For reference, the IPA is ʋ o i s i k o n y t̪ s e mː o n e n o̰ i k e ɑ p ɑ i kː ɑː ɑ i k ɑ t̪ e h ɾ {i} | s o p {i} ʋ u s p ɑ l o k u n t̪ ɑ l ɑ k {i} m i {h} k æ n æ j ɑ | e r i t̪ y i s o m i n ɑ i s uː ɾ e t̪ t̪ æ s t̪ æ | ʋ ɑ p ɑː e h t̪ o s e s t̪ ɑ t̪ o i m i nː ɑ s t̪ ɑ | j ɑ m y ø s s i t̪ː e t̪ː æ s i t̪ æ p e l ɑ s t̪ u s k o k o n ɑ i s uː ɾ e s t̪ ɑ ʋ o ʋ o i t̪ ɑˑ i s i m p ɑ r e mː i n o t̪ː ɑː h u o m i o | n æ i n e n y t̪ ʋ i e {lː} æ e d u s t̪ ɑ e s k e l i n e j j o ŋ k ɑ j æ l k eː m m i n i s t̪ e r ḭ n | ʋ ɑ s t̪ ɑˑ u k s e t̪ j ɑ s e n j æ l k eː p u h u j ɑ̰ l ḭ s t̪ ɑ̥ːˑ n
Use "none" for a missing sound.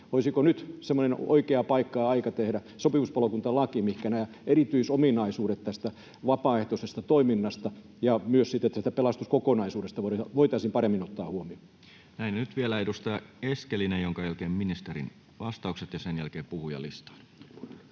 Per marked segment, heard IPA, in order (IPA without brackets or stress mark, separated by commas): æ, i, i, h, l